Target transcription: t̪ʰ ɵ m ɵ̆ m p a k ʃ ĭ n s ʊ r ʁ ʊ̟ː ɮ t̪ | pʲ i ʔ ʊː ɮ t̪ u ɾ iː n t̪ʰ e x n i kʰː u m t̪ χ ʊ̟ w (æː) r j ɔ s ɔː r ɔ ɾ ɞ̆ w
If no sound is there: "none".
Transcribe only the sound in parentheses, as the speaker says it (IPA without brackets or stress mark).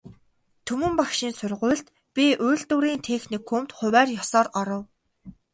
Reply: æː